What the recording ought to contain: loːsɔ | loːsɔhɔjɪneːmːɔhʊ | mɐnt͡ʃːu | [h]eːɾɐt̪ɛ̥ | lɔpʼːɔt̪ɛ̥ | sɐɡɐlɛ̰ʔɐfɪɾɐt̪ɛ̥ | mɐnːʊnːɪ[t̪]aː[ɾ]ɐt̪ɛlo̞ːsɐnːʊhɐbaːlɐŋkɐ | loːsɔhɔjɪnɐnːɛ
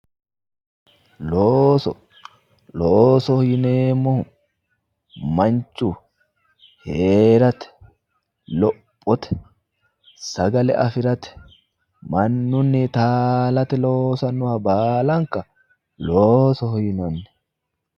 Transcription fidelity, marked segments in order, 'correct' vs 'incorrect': correct, correct, incorrect: l

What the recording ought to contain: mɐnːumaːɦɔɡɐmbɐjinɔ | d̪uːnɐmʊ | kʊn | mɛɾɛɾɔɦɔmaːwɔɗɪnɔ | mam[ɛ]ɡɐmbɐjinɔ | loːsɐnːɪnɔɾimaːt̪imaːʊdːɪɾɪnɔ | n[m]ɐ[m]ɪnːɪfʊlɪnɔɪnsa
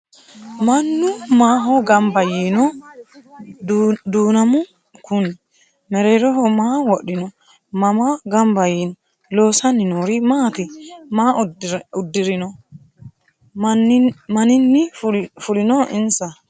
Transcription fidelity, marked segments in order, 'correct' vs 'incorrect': incorrect: a, correct, incorrect: n

